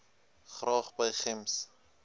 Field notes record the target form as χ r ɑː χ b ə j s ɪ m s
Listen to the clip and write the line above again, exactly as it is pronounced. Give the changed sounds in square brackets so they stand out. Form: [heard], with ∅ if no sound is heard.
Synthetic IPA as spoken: χ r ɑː χ b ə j [χ] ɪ m s